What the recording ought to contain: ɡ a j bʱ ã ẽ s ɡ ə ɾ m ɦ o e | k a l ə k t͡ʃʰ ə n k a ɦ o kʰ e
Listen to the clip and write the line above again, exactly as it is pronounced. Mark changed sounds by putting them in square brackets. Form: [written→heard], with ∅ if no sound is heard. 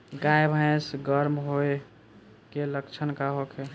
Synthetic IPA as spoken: ɡ a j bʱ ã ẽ s ɡ ə ɾ m ɦ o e | k [a→e] l ə k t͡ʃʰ ə n k a ɦ o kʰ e